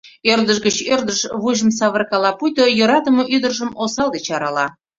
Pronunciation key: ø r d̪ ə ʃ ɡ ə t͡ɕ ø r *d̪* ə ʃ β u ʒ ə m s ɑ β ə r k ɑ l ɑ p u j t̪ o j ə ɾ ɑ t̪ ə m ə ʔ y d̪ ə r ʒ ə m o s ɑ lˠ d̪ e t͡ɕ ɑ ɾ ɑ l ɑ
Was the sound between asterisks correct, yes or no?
yes